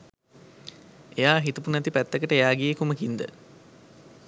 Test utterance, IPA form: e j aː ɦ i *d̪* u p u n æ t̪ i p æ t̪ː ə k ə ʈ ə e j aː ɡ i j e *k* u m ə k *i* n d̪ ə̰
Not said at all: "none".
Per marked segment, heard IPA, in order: t̪, k, i

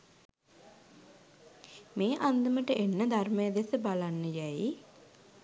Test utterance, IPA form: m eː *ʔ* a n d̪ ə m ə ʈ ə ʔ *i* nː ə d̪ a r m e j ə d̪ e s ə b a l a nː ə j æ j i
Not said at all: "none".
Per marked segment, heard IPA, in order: ʔ, e

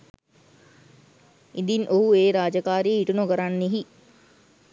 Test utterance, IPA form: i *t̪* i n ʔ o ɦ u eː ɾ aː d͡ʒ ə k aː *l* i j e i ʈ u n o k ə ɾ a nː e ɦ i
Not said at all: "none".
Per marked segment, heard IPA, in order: d̪, ɾ

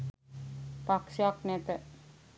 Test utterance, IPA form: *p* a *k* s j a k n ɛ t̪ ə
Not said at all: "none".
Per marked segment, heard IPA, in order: p, k

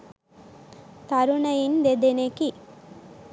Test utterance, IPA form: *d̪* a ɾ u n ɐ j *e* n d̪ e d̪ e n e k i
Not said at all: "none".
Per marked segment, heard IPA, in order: t̪, i

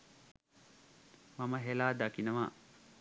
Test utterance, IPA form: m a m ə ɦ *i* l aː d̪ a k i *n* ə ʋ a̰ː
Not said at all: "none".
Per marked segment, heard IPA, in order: e, n

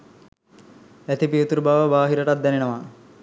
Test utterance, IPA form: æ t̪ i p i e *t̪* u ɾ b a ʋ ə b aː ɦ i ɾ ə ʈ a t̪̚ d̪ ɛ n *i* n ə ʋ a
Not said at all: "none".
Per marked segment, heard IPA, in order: t̪, e

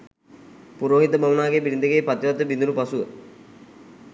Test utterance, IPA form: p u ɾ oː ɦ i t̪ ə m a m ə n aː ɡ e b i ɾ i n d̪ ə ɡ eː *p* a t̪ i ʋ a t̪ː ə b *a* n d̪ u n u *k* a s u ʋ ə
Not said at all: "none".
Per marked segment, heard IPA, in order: p, i, p

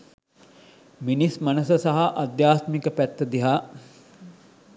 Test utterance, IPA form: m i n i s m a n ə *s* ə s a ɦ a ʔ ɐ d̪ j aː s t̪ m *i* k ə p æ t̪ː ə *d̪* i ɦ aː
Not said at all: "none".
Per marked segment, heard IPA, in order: s, i, d̪

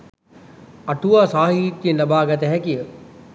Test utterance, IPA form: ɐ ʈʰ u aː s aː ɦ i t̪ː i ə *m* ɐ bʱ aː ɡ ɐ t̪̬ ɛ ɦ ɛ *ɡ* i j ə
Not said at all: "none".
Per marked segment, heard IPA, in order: n, k

